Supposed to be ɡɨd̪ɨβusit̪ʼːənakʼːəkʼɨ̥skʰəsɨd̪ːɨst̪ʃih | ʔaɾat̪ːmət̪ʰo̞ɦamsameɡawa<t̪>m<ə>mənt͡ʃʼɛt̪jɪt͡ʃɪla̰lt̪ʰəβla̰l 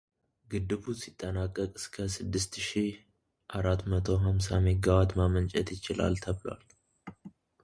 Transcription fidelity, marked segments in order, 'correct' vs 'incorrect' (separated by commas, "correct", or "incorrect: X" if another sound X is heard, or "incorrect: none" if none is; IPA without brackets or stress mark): correct, incorrect: a